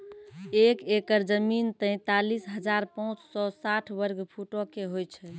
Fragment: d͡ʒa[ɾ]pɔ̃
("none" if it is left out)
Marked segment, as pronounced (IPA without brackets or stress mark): ɾ